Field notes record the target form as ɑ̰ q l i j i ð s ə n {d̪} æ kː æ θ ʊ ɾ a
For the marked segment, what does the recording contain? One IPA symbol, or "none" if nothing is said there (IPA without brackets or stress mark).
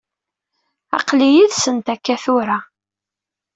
t̪